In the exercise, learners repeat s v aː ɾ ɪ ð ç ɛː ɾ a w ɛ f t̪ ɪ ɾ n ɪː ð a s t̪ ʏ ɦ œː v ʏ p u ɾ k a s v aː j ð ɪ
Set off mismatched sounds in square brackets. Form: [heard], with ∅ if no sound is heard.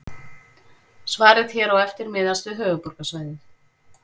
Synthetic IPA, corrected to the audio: s v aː ɾ ɪ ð ç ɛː ɾ a w ɛ f t̪ ɪ ɾ [m] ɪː ð a s t̪ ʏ ɦ œː v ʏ p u ɾ k a s v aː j ð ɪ